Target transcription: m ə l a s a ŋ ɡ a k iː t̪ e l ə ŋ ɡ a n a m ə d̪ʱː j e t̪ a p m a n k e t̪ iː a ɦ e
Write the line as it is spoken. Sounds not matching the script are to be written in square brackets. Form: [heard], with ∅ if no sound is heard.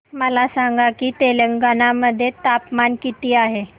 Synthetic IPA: m ə l a s a ŋ ɡ a k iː t̪ e l ə ŋ ɡ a n a m ə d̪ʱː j e t̪ a p m a n k [i] t̪ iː a ɦ e